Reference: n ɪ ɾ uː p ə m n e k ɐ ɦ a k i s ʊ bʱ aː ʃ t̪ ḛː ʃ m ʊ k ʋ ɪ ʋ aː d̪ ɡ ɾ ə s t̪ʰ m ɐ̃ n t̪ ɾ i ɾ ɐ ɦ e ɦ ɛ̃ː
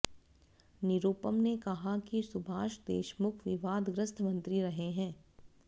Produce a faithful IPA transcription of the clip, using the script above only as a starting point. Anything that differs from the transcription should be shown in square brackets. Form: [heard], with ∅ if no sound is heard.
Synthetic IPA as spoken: n ɪ ɾ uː p ə m n e k ɐ ɦ a k i s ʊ bʱ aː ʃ [d̪] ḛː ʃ m ʊ [kʰ] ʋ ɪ ʋ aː d̪ ɡ ɾ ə s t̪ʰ m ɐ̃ n t̪ ɾ i ɾ ɐ ɦ e ɦ ɛ̃ː